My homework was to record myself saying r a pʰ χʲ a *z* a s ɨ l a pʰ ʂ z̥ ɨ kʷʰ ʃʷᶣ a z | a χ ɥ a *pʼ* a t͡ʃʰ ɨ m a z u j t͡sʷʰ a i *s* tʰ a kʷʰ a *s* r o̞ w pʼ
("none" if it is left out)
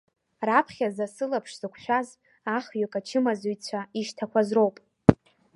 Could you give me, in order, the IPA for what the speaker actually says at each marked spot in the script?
z, kʼ, ʃ, z

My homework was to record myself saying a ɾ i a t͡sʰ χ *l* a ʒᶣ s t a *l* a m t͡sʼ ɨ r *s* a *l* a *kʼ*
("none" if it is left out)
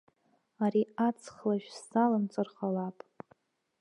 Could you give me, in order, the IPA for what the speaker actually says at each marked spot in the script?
l, l, χ, l, pʼ

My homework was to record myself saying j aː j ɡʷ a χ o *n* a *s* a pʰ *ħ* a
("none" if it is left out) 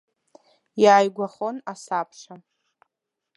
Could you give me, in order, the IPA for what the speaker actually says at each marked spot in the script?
n, s, ʂ

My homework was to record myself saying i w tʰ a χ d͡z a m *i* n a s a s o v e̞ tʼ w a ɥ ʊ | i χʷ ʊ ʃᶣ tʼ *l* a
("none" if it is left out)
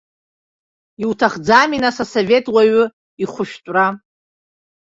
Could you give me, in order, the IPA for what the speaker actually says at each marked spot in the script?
i, r

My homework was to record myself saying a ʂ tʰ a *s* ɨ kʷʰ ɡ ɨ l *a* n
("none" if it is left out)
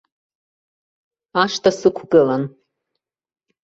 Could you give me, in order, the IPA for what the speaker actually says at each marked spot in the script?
s, a

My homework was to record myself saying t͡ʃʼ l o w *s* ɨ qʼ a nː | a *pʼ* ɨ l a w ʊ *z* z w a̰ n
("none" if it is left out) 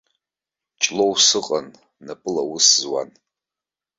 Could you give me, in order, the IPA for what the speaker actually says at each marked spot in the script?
s, pʼ, s

